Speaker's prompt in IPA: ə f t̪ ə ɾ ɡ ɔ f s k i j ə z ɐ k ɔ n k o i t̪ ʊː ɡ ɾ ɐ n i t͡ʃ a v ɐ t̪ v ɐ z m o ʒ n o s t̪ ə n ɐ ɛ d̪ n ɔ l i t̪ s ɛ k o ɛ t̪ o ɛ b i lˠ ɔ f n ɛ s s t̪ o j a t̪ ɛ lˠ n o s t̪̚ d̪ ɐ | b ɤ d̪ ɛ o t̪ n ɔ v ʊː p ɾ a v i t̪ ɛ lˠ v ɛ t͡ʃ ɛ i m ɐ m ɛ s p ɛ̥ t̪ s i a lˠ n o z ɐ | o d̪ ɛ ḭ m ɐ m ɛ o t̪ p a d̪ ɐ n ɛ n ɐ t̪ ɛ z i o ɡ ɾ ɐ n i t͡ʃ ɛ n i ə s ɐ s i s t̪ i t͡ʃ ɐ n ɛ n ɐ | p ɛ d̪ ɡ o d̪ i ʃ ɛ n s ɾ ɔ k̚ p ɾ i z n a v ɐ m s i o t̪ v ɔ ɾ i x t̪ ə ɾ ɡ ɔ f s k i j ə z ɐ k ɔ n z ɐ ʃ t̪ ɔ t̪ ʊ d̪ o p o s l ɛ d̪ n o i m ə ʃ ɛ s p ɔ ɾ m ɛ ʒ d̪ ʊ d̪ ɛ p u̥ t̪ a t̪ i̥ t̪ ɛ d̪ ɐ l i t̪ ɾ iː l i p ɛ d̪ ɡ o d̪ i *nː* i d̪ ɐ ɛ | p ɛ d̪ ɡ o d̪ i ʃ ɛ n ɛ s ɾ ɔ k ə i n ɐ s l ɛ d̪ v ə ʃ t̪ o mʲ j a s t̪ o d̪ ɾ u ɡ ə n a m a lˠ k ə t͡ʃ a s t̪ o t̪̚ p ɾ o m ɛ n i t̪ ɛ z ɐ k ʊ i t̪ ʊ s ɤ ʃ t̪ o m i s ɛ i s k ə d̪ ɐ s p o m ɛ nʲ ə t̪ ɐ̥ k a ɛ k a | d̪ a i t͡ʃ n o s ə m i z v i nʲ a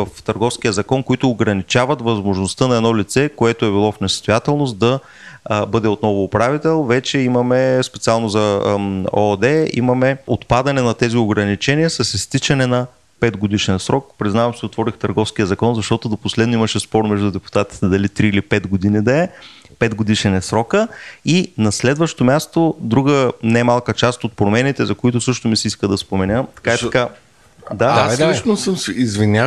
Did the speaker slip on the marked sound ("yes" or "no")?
yes